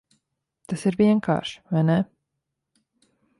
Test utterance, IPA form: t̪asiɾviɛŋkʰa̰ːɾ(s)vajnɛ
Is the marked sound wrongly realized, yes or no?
yes